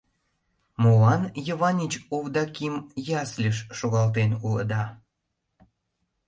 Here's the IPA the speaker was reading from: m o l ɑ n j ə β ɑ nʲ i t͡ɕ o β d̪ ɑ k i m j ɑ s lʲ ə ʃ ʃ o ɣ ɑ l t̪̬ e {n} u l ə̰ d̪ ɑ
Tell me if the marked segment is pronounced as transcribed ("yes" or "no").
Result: yes